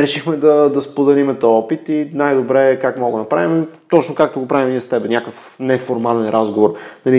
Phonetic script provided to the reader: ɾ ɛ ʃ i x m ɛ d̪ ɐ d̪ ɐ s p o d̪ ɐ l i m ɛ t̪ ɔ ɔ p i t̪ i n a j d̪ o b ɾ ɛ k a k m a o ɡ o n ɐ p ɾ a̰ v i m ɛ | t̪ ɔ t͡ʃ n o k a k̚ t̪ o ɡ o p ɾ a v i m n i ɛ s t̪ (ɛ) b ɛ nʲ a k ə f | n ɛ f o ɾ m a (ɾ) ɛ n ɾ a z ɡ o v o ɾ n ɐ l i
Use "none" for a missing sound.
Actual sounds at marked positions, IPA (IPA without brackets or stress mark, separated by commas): ɛ, l